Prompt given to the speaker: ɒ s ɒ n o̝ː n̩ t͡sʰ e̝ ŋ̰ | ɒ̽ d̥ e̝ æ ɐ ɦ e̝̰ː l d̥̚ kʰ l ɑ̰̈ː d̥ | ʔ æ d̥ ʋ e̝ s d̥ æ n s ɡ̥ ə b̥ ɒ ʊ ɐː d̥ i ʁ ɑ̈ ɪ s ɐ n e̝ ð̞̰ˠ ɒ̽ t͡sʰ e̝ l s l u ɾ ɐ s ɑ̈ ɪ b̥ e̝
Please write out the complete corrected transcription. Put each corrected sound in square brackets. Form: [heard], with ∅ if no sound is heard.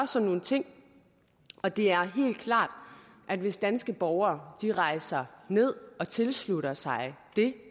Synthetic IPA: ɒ s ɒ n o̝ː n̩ t͡sʰ e̝ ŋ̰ | ɒ̽ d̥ e̝ æ ɐ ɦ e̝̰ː l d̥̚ kʰ l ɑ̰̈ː d̥ | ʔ æ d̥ ʋ e̝ s d̥ æ n s ɡ̥ ə b̥ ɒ ʊ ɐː d̥ i ʁ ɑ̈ ɪ s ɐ n e̝ ð̞̰ˠ ɒ̽ t͡sʰ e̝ l s l u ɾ ɐ s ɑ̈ ɪ [d̥] e̝